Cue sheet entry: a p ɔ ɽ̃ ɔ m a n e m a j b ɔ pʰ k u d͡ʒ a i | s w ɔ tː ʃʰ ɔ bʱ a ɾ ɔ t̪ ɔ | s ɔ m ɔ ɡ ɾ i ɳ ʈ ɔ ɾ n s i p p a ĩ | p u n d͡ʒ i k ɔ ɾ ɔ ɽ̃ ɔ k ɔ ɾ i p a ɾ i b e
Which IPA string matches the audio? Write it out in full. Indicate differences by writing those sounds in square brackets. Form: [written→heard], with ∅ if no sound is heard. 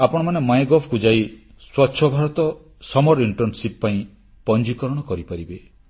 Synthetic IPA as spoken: a p ɔ ɽ̃ ɔ m a n e m a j [b→ɡ] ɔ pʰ k u d͡ʒ a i | s w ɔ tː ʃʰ ɔ bʱ a ɾ ɔ t̪ ɔ | s ɔ m ɔ [ɡ→∅] ɾ i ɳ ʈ ɔ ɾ n s i p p a ĩ | p [u→ɔ] n d͡ʒ i k ɔ ɾ ɔ ɽ̃ ɔ k ɔ ɾ i p a ɾ i b e